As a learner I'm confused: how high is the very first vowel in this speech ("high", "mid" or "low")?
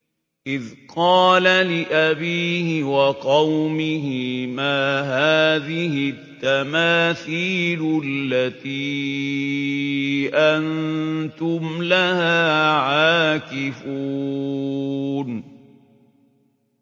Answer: high